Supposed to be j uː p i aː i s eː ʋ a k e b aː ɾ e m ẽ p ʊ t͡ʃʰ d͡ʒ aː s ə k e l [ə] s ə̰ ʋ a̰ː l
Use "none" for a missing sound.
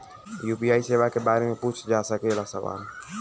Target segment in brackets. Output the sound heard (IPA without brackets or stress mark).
a